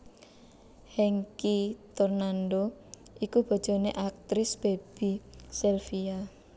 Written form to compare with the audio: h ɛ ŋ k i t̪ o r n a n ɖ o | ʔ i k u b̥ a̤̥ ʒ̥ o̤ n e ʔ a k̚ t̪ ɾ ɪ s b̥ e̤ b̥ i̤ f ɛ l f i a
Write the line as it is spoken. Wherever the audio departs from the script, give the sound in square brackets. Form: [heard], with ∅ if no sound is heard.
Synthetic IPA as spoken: h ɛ ŋ k i t̪ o r n a n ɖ o | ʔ i k u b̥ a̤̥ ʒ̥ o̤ n e ʔ a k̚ t̪ ɾ ɪ s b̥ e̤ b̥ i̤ [s] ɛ l f i a